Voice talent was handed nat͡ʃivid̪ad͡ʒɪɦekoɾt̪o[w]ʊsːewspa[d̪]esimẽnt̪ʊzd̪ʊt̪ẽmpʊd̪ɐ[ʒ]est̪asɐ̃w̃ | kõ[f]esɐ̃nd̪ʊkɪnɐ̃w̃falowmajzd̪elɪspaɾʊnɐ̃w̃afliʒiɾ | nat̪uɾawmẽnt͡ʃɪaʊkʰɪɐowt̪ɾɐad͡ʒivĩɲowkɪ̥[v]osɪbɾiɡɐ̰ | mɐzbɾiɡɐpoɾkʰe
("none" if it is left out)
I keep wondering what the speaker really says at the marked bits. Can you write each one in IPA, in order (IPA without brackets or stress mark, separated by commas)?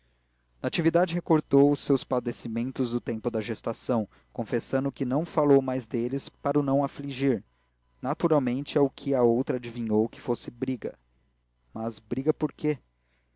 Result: w, d̪, ʒ, f, f